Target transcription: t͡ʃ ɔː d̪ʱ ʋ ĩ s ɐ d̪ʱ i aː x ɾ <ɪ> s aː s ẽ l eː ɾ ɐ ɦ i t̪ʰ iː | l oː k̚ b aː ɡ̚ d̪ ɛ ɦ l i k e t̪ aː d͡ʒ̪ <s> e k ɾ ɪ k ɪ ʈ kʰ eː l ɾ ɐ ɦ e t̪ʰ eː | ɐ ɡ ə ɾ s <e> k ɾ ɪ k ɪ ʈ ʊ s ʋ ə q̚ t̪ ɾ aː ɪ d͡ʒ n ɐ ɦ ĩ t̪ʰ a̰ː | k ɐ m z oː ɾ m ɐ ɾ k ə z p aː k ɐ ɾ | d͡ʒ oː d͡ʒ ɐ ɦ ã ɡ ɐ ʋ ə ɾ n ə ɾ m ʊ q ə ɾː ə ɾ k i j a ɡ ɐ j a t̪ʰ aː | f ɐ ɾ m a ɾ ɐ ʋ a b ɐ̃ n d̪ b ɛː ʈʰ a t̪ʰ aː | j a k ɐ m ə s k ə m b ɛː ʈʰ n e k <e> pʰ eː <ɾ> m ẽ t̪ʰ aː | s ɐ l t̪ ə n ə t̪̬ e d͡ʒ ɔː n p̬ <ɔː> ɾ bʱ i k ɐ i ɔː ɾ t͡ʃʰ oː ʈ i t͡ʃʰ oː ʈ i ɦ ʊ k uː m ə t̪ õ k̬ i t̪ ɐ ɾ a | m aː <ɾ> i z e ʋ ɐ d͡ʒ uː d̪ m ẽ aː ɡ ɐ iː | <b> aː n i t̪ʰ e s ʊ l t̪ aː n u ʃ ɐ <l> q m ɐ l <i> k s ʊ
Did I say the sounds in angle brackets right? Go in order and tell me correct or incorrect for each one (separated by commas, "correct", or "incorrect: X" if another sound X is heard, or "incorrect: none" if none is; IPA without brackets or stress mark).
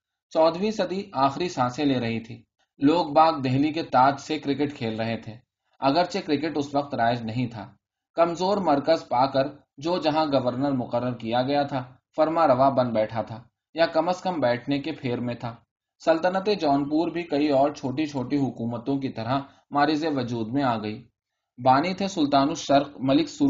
incorrect: i, correct, correct, correct, correct, incorrect: uː, correct, correct, incorrect: ɾ, incorrect: ɪ